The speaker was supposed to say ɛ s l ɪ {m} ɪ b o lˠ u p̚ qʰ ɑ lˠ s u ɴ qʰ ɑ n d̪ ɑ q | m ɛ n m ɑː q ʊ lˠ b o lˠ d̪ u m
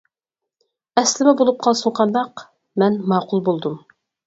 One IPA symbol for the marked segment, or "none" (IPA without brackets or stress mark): m